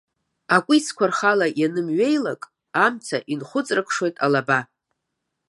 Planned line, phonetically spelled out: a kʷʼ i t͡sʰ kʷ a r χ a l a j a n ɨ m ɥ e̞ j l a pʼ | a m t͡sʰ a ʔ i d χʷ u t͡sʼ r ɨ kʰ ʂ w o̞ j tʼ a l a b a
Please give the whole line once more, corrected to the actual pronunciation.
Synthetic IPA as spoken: a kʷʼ i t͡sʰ kʷ a r χ a l a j a n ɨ m ɥ e̞ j l a kʼ | a m t͡sʰ a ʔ i n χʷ ʊ t͡sʼ r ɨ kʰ ʂ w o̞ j tʼ a l a b a